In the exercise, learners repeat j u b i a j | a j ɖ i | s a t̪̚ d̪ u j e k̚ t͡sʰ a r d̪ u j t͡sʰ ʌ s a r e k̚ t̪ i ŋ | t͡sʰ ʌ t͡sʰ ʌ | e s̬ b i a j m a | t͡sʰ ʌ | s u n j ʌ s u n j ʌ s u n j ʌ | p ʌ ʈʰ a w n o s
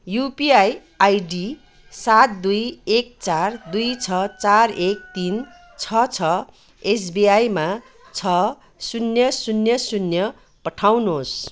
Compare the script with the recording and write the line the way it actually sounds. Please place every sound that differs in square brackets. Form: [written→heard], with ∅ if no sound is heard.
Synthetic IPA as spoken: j u [b→p] i a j | a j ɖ i | s a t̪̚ d̪ u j e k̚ [t͡sʰ→t͡s] a r d̪ u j t͡sʰ ʌ [s→t͡s] a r e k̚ t̪ i [ŋ→n] | t͡sʰ ʌ t͡sʰ ʌ | e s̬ b i a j m a | t͡sʰ ʌ | s u n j ʌ s u n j ʌ s u n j ʌ | p ʌ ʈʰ a w n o s